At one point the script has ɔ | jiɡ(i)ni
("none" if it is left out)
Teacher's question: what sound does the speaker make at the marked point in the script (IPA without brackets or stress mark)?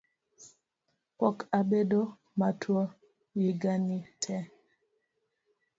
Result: a